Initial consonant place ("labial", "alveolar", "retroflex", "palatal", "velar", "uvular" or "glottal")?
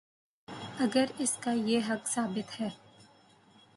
velar